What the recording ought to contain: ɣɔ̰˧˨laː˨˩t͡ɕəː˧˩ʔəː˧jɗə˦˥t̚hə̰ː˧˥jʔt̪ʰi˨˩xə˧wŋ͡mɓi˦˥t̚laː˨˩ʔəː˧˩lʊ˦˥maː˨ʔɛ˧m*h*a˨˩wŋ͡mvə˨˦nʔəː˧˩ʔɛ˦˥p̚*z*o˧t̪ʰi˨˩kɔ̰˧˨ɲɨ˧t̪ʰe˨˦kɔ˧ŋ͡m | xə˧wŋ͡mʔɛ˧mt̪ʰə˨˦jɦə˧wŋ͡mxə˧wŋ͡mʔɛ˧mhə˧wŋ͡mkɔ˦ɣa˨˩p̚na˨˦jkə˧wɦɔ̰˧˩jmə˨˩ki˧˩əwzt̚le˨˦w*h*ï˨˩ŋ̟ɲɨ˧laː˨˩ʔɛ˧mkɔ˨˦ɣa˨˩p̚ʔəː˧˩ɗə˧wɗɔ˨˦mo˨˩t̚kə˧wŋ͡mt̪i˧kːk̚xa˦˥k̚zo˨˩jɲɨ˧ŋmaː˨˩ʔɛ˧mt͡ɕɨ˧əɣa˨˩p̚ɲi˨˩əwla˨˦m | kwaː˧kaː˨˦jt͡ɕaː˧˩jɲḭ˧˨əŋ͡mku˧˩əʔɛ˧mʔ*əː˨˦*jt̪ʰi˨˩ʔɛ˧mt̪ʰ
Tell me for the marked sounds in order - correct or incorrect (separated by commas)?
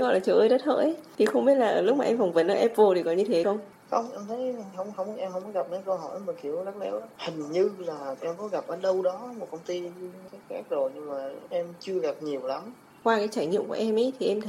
incorrect, incorrect, correct, incorrect